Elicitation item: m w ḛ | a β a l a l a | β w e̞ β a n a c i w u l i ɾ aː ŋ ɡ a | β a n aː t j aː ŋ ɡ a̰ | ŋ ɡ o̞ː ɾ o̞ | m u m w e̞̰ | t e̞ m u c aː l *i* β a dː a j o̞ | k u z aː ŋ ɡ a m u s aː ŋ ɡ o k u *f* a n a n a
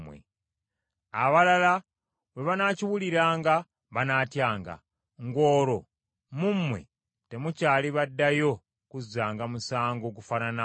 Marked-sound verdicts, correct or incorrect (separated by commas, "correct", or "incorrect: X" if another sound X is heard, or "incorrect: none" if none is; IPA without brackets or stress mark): correct, correct